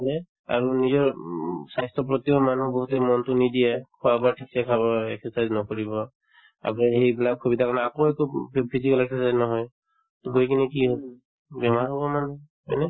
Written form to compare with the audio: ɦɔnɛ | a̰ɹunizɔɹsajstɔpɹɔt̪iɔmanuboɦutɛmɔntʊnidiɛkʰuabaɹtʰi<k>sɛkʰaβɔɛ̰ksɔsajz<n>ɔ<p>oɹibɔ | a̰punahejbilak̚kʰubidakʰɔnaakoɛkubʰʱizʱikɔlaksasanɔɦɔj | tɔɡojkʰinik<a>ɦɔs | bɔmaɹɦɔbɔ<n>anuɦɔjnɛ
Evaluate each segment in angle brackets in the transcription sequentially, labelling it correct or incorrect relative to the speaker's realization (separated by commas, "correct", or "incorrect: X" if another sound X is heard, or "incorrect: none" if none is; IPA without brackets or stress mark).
correct, correct, incorrect: k, incorrect: i, incorrect: m